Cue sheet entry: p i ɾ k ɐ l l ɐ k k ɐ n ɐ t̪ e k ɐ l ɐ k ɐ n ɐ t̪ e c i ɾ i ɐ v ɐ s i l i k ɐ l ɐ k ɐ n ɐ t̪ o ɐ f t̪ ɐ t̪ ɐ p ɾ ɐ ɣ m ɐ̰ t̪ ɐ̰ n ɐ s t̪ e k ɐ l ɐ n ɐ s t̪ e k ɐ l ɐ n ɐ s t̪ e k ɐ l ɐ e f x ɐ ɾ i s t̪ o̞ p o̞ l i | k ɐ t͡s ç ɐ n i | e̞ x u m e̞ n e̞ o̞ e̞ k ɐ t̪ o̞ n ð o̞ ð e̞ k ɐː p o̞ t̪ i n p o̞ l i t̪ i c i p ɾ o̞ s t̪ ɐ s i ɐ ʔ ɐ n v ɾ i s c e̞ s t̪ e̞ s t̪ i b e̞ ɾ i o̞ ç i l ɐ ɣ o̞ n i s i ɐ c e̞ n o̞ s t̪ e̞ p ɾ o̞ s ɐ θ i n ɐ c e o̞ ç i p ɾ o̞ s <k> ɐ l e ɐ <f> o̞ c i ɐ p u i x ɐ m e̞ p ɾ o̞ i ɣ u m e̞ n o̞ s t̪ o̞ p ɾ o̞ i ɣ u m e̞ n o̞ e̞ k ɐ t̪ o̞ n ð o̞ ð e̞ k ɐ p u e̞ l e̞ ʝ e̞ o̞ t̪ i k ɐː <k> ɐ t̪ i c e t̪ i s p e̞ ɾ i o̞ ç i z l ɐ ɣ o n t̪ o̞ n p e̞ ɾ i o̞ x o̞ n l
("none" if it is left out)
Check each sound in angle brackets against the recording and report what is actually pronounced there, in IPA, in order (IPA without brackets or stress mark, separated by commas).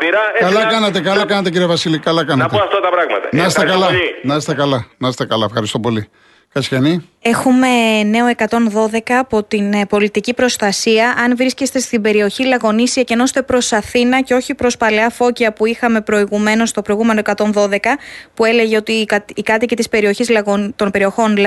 p, f, k